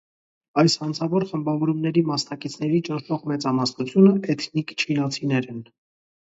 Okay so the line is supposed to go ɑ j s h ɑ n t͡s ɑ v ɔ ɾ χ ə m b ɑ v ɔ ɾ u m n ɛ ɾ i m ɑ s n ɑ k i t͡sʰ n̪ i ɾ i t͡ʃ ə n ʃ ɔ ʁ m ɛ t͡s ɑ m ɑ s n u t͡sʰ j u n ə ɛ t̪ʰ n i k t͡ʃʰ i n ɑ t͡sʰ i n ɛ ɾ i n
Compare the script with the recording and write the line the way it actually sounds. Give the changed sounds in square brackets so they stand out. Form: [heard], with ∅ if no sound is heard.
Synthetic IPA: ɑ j s h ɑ n [t͡sʰ] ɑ v ɔ ɾ χ ə m b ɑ v ɔ ɾ u m n ɛ ɾ i m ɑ s n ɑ k i t͡sʰ n̪ [ɛ] ɾ i t͡ʃ ə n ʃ ɔ ʁ m ɛ t͡s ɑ m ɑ s n u t͡sʰ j u n ə ɛ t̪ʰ n i k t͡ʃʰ i n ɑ t͡sʰ i n ɛ ɾ [ɛ] n